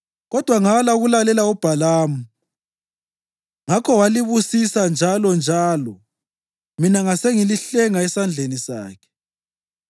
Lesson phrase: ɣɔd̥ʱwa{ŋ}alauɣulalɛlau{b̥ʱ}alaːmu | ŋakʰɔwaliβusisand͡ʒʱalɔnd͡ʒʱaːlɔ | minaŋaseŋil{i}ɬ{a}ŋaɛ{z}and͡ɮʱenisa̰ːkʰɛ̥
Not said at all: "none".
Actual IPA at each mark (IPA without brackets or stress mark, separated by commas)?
ŋ, b̥ʱ, i, ɛ, s